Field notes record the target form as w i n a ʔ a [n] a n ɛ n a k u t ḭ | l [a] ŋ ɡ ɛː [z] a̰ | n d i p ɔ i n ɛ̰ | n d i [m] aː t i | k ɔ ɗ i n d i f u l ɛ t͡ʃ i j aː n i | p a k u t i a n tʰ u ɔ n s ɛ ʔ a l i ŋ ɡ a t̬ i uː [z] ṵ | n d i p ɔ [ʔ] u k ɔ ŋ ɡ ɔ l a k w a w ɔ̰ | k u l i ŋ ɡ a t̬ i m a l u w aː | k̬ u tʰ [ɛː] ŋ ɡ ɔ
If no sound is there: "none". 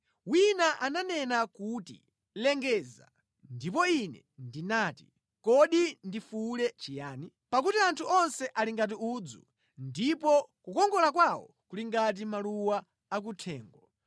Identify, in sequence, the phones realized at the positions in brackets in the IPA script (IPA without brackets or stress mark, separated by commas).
n, ɛ, z, n, d͡z, k, ɛː